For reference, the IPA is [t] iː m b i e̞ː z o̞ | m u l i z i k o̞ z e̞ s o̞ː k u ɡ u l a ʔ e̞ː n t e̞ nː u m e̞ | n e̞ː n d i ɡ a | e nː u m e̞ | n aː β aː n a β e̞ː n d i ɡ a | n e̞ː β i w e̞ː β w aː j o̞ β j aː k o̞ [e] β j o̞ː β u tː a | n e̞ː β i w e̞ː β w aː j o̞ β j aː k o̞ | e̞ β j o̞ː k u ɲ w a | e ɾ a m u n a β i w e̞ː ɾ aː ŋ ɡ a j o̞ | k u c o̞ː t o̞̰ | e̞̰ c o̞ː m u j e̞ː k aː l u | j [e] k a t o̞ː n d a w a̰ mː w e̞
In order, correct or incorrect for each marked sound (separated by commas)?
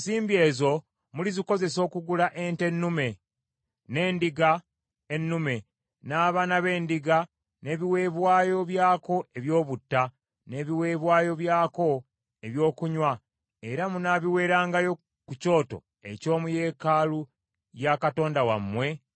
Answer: incorrect, correct, incorrect